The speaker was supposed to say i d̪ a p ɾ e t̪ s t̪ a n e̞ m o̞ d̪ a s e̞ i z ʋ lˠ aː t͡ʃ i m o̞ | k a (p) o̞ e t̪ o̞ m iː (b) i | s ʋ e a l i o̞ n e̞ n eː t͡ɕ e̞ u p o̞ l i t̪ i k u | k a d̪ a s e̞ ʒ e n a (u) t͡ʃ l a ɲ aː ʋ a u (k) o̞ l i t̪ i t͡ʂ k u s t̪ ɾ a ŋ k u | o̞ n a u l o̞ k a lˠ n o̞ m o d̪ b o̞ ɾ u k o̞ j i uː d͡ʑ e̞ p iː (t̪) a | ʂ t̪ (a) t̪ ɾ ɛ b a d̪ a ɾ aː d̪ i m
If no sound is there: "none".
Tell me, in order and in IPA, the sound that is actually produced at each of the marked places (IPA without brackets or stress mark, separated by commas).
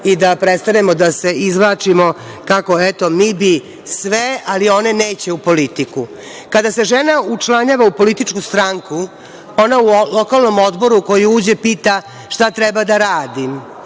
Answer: k, b, u, p, t̪, a